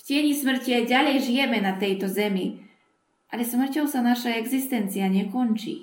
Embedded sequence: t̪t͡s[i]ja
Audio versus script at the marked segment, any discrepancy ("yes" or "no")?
no